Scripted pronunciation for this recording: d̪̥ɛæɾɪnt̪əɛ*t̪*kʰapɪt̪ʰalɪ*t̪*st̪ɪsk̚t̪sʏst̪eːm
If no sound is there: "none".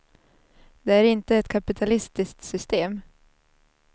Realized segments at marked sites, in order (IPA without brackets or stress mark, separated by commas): t̪, none